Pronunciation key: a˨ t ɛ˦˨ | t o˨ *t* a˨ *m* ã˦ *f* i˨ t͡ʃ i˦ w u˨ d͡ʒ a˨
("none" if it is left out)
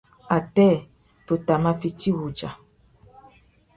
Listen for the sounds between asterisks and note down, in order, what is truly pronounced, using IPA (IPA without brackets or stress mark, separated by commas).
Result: t, m, f